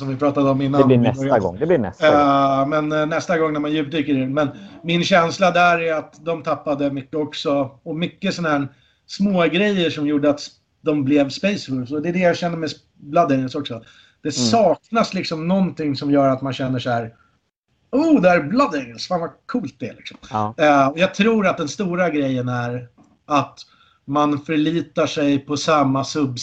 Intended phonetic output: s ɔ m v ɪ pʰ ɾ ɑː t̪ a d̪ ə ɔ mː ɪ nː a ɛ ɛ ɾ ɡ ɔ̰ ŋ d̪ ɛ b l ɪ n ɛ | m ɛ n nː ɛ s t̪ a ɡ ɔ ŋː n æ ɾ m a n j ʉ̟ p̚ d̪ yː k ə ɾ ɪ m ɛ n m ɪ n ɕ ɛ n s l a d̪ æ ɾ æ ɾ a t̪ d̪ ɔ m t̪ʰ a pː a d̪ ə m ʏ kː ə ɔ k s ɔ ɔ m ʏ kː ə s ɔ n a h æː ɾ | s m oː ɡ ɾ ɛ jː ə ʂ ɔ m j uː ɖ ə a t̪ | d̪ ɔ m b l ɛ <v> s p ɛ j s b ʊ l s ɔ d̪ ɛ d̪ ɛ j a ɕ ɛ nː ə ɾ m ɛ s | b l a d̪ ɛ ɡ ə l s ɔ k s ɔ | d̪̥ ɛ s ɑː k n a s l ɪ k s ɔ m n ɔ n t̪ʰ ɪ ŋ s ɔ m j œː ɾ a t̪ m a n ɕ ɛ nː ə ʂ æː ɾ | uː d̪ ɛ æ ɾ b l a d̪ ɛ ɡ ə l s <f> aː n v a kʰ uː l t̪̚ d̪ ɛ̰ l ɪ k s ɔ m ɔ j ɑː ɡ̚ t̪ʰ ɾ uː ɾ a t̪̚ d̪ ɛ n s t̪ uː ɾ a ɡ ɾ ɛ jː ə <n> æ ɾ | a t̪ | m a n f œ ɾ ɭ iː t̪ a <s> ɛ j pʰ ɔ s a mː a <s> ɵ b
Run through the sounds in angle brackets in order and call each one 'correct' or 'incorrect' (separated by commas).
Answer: correct, correct, correct, incorrect, correct